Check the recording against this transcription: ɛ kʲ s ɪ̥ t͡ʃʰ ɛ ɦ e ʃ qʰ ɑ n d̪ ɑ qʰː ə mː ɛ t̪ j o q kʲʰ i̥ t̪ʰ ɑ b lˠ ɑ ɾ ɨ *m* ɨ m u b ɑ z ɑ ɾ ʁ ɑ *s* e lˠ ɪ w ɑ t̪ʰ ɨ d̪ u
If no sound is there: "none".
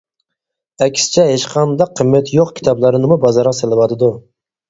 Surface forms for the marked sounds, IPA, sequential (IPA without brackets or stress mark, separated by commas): n, s